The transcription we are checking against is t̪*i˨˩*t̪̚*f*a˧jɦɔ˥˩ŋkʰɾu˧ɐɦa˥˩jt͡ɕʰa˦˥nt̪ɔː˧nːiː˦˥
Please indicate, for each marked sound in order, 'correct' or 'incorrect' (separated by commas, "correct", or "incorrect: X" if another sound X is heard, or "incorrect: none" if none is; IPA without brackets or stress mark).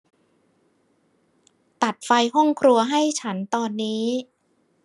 incorrect: a˨˩, correct